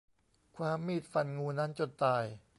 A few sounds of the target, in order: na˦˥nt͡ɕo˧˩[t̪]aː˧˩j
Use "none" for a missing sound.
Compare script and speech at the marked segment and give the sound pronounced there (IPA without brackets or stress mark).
t̪